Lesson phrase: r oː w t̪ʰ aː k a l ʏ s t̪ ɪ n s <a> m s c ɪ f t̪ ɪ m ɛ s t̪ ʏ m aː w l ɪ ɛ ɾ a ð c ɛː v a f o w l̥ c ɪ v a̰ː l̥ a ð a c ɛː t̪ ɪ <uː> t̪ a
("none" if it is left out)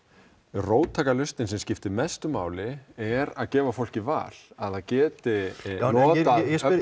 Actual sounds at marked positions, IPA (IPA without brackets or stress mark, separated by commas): ɛ, ɔː